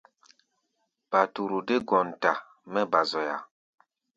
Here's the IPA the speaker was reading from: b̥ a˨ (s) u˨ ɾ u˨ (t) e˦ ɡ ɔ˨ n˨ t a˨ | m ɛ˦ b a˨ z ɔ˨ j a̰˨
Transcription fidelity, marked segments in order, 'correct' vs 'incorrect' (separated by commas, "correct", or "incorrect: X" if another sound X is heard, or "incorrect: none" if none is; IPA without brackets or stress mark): incorrect: t, incorrect: d